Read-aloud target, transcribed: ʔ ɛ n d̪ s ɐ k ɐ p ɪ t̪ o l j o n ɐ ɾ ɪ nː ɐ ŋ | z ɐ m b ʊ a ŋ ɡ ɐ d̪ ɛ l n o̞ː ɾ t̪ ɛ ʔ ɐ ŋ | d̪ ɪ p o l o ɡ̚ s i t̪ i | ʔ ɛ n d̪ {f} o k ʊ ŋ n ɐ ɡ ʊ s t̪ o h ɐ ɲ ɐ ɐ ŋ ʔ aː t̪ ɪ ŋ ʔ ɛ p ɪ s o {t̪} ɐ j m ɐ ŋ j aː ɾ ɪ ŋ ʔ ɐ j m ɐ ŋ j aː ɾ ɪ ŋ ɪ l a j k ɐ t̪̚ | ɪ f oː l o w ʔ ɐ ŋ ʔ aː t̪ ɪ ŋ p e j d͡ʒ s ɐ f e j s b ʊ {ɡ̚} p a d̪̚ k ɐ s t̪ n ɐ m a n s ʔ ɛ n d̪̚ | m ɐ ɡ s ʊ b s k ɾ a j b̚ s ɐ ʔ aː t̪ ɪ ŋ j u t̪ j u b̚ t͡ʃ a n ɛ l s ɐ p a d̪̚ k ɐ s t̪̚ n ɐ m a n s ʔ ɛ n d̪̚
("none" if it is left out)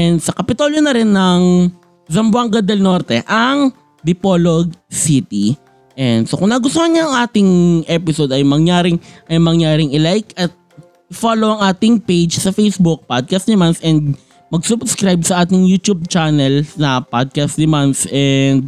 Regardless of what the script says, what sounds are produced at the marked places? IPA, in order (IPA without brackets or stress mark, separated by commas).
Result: s, d̪, k̚